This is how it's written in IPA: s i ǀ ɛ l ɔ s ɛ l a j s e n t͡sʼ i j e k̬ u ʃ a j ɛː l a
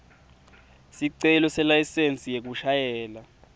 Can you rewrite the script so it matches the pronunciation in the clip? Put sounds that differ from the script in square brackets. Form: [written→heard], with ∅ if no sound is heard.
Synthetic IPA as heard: s i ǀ ɛ l ɔ s ɛ l a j s e n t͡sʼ i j e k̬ u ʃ a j ɛː l a